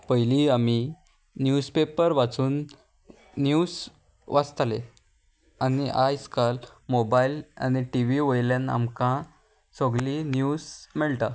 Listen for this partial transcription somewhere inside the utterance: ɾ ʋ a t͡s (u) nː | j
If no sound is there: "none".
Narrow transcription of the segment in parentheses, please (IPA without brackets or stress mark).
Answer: uː